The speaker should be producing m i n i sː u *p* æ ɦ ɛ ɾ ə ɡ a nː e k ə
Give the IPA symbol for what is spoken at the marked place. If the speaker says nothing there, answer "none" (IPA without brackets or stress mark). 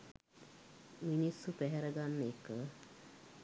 p